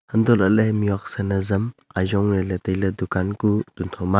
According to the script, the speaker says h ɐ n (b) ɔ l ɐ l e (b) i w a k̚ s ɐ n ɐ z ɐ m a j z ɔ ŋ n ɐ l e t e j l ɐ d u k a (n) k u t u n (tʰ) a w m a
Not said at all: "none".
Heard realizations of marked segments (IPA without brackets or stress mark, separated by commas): d, m, n, tʰ